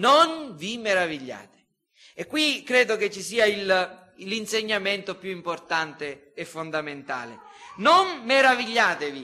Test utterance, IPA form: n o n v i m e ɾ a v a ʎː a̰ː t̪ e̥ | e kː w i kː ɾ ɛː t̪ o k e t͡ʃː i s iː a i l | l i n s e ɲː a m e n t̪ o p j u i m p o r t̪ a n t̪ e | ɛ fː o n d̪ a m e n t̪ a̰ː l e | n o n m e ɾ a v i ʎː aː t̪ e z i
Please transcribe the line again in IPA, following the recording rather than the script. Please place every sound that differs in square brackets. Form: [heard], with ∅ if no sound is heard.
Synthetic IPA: n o n v i m e ɾ a v [i] ʎː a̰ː t̪ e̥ | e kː w i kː ɾ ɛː [d̪] o k e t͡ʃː i s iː a i l | l i n s e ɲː a m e n t̪ o p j u i m p o r t̪ a n t̪ e | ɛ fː o n d̪ a m e n t̪ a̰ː l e | n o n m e ɾ a v i ʎː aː t̪ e [v] i